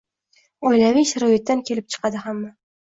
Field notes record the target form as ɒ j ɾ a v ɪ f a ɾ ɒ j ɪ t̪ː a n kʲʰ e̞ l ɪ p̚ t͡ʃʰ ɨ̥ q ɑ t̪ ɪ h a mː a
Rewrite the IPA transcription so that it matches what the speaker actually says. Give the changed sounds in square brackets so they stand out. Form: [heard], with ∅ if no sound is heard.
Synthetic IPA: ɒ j [l] a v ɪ [ʃ] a ɾ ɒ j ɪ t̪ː a n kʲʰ e̞ l ɪ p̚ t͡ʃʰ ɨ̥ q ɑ [d̪] ɪ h a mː a

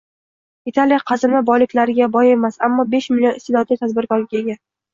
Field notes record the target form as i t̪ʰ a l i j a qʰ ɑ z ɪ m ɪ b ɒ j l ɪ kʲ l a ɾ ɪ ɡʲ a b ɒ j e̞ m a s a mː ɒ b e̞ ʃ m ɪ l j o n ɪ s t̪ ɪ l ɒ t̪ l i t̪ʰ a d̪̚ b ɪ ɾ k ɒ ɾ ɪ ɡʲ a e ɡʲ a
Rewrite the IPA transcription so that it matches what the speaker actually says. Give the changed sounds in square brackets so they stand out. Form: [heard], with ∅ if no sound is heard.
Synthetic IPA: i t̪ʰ a l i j a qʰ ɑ z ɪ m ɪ b ɒ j l ɪ kʲ l a ɾ ɪ ɡʲ a b ɒ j e̞ m a s a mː ɒ b e̞ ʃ m ɪ l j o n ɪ s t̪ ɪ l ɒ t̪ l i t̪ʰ a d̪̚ b ɪ ɾ k ɒ ɾ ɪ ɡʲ a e ɡʲ a

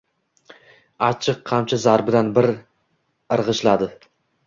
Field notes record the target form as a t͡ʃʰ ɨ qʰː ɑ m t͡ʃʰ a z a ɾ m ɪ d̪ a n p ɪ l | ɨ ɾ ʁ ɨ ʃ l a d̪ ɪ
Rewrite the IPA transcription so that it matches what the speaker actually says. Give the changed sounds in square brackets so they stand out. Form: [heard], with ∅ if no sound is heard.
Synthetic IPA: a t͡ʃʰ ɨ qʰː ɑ m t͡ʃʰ a z a ɾ [b] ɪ d̪ a n [b] ɪ [ɾ] | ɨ ɾ ʁ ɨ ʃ l a d̪ ɪ

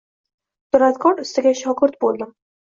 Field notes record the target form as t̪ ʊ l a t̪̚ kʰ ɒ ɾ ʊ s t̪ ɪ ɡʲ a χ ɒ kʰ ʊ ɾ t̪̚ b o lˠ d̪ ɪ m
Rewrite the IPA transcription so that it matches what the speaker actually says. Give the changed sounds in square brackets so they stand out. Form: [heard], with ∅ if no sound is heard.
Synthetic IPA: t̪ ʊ [ɾ] a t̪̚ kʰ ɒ ɾ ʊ s t̪ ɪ ɡʲ a [ʃ] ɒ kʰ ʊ ɾ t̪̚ b o lˠ d̪ ɪ m

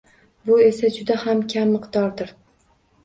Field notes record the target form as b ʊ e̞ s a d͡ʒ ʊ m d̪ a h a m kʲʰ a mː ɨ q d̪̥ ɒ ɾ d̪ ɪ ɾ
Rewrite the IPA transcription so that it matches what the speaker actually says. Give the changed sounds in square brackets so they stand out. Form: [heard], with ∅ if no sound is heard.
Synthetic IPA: b ʊ e̞ s a d͡ʒ ʊ [∅] d̪ a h a m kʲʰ a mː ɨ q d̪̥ ɒ ɾ d̪ ɪ ɾ

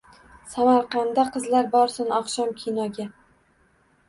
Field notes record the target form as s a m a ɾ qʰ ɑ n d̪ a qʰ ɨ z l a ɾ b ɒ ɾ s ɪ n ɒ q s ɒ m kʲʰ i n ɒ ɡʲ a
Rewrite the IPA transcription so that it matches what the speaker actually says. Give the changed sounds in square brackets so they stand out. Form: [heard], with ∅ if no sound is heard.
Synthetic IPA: s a m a ɾ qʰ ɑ n d̪ a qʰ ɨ z l a ɾ b ɒ ɾ s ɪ n ɒ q [ʃ] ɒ m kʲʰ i n ɒ ɡʲ a

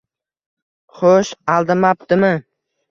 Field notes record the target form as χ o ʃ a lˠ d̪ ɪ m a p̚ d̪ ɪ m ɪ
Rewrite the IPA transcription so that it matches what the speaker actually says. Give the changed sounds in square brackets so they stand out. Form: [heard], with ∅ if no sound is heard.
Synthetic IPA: χ o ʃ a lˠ d̪ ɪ m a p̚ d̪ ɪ m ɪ

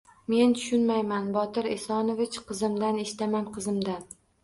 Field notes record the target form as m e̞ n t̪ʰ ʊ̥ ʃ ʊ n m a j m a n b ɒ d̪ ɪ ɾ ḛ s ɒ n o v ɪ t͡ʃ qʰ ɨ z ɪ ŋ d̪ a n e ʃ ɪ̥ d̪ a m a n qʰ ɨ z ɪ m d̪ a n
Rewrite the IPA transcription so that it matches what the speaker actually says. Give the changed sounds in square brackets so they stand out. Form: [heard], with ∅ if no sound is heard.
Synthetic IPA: m e̞ n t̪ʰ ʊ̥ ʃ ʊ n m a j m a n b ɒ [t̪] ɪ ɾ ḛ s ɒ n o v ɪ t͡ʃ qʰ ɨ z ɪ [m] d̪ a n e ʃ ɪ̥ [t̪] a m a n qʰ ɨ z ɪ m d̪ a n

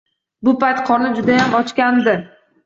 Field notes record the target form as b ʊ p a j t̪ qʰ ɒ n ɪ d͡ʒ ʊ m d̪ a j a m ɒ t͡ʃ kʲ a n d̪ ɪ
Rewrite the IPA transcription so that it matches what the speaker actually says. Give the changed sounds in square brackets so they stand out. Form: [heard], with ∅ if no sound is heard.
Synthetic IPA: b ʊ p a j t̪ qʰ ɒ n ɪ d͡ʒ ʊ [∅] d̪ a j a m ɒ t͡ʃ kʲ a n d̪ ɪ

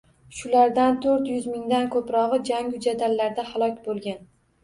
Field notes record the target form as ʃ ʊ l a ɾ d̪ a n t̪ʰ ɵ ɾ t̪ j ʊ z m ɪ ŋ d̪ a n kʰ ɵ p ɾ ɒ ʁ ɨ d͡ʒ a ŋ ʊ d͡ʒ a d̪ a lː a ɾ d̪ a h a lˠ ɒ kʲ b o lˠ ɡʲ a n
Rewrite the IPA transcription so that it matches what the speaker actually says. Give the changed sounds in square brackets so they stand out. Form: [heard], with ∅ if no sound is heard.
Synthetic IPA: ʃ ʊ l a ɾ d̪ a n t̪ʰ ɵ ɾ t̪ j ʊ z m ɪ ŋ d̪ a n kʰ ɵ p ɾ ɒ ʁ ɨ d͡ʒ a ŋ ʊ d͡ʒ a d̪ a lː a ɾ d̪ a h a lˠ ɒ kʲ b o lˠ ɡʲ a n

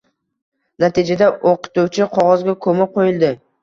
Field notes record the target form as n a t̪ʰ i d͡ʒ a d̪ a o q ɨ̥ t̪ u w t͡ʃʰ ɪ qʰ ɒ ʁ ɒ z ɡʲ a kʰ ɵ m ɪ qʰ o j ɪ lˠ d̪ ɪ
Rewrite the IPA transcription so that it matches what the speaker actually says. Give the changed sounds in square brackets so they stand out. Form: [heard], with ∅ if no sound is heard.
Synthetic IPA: n a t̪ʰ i d͡ʒ a d̪ a o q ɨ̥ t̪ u w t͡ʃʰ ɪ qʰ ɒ ʁ ɒ z ɡʲ a kʰ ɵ m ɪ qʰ o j ɪ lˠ d̪ ɪ

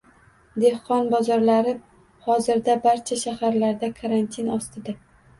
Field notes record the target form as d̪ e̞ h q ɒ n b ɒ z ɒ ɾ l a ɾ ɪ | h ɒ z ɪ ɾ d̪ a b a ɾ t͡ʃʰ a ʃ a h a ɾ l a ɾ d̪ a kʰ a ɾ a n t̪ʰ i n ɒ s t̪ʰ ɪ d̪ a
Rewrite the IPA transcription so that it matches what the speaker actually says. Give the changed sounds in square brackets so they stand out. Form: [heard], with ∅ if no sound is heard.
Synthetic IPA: d̪ e̞ h q ɒ n b ɒ z ɒ ɾ l a ɾ ɪ | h ɒ z ɪ ɾ d̪ a b a ɾ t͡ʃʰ a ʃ a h a ɾ l a ɾ d̪ a kʰ a ɾ a n t̪ʰ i n ɒ s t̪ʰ ɪ d̪ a

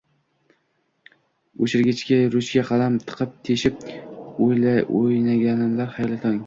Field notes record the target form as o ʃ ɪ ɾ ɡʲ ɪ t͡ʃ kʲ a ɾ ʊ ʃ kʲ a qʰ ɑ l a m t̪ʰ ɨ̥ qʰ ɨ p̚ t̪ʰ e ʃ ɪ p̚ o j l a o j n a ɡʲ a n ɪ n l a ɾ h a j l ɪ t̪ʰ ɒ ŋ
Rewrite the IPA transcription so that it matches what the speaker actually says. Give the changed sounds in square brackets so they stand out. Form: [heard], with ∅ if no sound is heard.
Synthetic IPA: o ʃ ɪ ɾ ɡʲ ɪ t͡ʃ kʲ a ɾ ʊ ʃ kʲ a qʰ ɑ l a m t̪ʰ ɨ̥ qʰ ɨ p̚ t̪ʰ e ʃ ɪ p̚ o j l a o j n a ɡʲ a n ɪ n l a ɾ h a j l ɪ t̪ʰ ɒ ŋ

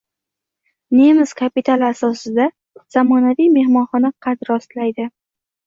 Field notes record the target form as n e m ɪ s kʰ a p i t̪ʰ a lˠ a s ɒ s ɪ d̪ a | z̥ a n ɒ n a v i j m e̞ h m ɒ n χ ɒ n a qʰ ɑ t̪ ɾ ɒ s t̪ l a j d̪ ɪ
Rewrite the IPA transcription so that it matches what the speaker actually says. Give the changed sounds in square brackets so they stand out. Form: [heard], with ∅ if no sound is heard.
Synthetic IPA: n e m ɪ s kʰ a p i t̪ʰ a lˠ a s ɒ s ɪ d̪ a | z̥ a [m] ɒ n a v i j m e̞ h m ɒ n χ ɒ n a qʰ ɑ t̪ ɾ ɒ s t̪ l a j d̪ ɪ

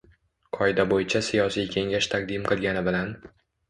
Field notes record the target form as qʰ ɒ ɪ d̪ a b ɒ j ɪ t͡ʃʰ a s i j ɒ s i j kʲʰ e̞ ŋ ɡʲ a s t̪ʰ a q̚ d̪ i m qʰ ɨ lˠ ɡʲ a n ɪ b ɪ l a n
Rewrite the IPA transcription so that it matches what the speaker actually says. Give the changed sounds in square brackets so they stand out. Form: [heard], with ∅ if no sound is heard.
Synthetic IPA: qʰ ɒ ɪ d̪ a b [o] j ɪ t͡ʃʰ a s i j ɒ s i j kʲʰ e̞ ŋ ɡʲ a [ʃ] t̪ʰ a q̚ d̪ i m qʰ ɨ lˠ ɡʲ a n ɪ b ɪ l a n

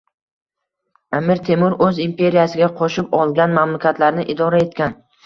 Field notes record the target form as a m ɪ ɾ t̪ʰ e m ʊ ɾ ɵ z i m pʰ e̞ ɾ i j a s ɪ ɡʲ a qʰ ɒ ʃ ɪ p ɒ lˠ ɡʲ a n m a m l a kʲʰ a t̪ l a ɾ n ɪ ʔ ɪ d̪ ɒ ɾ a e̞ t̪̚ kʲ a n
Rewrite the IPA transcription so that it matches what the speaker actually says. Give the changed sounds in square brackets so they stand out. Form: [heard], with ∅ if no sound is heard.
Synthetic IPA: a m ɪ ɾ t̪ʰ e m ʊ ɾ ɵ z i m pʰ e̞ ɾ i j a s ɪ ɡʲ a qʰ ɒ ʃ ɪ p ɒ lˠ ɡʲ a n m a m l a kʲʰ a t̪ l a ɾ n ɪ ʔ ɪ d̪ ɒ ɾ a e̞ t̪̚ kʲ a n

